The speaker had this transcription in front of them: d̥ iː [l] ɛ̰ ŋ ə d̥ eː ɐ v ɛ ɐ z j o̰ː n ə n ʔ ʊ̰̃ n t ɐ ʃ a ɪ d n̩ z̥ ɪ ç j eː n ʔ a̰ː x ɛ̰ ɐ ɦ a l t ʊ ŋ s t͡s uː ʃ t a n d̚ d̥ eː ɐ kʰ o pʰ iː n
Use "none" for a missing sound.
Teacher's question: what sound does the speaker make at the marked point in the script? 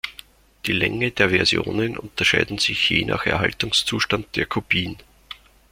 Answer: l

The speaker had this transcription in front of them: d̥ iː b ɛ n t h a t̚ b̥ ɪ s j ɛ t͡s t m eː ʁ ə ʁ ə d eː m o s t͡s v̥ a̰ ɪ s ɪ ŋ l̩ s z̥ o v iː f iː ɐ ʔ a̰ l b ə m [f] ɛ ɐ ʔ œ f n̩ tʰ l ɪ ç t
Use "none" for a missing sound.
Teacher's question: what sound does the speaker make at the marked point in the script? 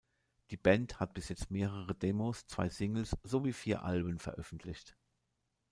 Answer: f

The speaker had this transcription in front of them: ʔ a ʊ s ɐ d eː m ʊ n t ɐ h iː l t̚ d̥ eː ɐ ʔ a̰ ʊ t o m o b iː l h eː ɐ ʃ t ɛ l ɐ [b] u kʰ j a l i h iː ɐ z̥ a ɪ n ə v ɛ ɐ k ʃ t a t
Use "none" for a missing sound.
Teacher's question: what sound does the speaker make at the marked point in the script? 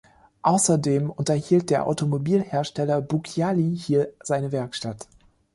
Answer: b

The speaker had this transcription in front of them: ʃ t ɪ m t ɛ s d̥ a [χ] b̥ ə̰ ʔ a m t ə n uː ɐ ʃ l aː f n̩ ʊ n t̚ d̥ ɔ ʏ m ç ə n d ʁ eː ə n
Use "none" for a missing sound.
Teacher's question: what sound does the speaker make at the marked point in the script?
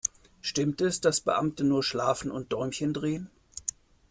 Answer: s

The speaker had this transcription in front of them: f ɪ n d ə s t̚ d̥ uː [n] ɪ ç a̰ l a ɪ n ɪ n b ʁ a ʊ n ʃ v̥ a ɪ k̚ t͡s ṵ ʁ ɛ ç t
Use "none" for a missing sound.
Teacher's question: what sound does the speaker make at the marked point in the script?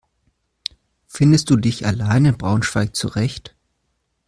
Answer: d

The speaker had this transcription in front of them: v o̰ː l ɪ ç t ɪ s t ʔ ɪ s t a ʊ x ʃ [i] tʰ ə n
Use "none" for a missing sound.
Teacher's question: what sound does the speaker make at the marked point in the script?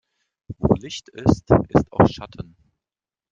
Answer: a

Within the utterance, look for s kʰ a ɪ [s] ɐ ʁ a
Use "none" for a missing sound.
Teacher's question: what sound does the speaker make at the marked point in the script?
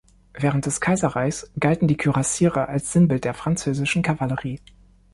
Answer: z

